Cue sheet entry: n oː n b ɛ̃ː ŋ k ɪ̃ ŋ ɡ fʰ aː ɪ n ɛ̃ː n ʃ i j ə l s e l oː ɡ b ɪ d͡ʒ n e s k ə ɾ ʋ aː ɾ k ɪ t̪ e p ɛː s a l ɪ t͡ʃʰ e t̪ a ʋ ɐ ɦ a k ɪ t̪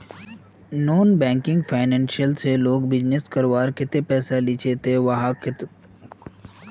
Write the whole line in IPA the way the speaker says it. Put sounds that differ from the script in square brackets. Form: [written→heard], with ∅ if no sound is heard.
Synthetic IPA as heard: n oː n b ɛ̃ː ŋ k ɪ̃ ŋ ɡ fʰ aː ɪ n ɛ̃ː n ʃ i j ə l s e l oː ɡ b ɪ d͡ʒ n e s k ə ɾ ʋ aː ɾ k ɪ t̪ e p ɛː s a l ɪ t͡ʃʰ e t̪ [a→e] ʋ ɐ ɦ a k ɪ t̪